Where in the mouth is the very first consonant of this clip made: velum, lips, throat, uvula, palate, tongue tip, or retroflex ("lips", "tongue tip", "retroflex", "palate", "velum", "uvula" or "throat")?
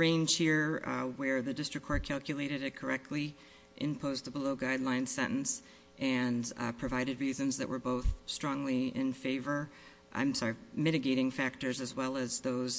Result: tongue tip